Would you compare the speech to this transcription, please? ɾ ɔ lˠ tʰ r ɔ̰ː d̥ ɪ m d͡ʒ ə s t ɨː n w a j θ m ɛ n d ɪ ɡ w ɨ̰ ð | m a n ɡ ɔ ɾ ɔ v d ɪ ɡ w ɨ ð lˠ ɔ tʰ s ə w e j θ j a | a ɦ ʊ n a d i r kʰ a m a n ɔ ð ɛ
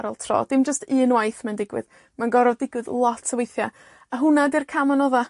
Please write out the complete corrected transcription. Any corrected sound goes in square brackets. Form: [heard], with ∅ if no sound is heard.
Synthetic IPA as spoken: ɾ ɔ lˠ tʰ r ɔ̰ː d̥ ɪ m d͡ʒ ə s t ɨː n w a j θ m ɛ n d ɪ ɡ w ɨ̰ ð | m a n ɡ ɔ ɾ ɔ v d ɪ ɡ w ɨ ð lˠ ɔ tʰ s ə w e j θ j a | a ɦ ʊ n a d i r kʰ a m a n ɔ ð [a]

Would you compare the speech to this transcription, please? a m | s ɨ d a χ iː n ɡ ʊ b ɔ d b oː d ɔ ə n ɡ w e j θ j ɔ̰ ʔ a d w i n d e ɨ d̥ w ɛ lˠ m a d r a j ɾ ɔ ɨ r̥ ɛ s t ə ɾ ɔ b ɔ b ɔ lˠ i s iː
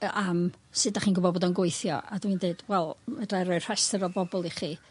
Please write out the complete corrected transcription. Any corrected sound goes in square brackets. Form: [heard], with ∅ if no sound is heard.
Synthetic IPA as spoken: a m | s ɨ d a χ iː n ɡ ʊ b ɔ d b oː d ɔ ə n ɡ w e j θ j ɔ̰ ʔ a d w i n d e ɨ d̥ w ɛ lˠ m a d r a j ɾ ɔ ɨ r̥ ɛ s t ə ɾ ɔ b ɔ b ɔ lˠ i [χ] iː

